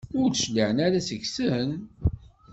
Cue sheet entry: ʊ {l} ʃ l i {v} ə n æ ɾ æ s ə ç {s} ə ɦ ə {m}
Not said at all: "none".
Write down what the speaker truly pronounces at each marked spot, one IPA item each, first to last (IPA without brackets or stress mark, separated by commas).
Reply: ɾ, ʕ, s, n